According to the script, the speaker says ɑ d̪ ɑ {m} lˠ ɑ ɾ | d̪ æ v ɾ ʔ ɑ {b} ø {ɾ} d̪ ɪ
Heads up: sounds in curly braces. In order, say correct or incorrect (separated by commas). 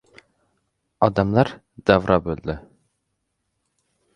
correct, correct, incorrect